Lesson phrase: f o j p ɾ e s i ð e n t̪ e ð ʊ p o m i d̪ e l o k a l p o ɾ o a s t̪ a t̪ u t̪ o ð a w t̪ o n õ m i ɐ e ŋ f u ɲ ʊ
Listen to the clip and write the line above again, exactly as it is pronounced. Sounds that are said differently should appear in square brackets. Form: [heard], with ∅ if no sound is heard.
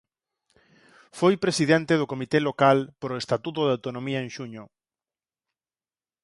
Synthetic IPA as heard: f o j p ɾ e s i ð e n t̪ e ð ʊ [k] o m i [t̪] e l o k a l p o ɾ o [e] s t̪ a t̪ u t̪ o ð a w t̪ o n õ m i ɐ e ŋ [ʃ] u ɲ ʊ